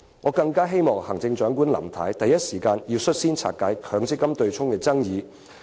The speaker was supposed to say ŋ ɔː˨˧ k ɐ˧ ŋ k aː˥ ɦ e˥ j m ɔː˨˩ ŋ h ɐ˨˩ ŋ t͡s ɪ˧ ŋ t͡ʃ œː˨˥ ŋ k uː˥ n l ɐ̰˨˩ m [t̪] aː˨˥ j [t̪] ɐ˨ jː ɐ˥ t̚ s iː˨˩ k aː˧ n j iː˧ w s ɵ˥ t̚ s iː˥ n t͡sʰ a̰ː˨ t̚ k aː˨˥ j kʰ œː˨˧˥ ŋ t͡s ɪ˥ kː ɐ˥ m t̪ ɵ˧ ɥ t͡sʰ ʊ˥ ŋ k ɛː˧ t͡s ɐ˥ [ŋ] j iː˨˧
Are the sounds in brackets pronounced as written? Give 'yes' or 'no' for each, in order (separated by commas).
no, yes, yes